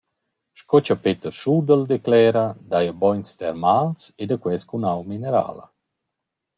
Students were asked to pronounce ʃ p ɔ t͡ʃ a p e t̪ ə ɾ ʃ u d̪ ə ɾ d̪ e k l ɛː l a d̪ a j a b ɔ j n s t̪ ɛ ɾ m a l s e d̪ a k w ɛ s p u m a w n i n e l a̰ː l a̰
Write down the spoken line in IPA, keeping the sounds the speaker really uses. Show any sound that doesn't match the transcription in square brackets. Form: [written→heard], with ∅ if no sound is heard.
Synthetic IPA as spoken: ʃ [p→k] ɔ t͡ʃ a p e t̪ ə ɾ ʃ u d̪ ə [ɾ→l] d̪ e k l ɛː [l→ɾ] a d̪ a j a b ɔ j n s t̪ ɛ ɾ m a l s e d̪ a k w ɛ s [p→k] u [m→n] a w [n→m] i n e [l→ɾ] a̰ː l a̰